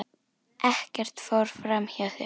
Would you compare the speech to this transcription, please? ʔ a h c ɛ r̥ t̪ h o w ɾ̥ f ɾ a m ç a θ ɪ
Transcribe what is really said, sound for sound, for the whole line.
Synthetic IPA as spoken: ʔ ɛ h c ɛ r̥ t̪ f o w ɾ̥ f ɾ a m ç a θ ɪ